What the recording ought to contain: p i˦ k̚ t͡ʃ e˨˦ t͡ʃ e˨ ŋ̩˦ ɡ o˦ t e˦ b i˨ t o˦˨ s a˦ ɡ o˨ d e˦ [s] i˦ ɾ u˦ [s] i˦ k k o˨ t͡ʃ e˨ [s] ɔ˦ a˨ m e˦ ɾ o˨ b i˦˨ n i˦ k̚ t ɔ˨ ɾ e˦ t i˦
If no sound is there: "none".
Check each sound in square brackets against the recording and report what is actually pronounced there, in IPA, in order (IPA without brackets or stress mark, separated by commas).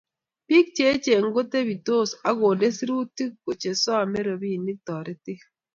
s, t, s